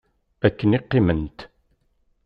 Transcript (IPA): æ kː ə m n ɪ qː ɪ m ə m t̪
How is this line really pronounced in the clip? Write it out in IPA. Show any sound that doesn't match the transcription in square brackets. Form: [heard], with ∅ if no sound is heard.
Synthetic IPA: æ kː ə [∅] n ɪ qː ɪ m ə [n] t̪